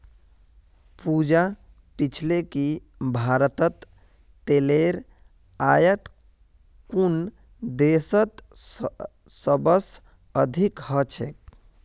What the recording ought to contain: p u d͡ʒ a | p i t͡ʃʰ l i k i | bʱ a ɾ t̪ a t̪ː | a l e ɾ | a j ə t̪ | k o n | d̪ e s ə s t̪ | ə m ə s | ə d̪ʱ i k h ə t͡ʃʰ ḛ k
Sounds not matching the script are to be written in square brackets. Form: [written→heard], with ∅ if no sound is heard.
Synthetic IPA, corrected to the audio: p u d͡ʒ a | p i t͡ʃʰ l [i→e] k i | bʱ a ɾ t̪ [a→ə] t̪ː | [a→e] l e ɾ | a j ə t̪ | k [o→u] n | d̪ e s ə [s→∅] t̪ | ə [m→b] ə s | ə d̪ʱ i k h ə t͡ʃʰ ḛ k